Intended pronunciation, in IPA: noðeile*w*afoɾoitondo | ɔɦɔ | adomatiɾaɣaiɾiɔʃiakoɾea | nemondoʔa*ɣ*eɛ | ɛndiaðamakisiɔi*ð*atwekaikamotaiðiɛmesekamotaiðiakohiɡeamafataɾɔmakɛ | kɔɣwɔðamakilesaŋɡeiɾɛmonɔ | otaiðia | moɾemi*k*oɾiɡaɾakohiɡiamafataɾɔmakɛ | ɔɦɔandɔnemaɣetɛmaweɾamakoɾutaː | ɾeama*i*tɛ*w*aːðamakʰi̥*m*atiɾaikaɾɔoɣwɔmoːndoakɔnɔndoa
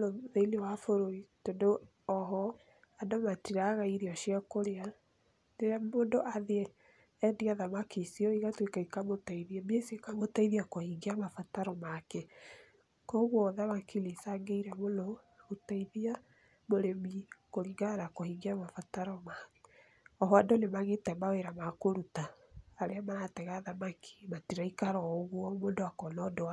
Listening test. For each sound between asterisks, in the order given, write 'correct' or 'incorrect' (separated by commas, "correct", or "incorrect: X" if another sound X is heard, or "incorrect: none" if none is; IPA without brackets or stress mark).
correct, incorrect: ð, incorrect: ɣ, correct, incorrect: a, incorrect: ɣ, correct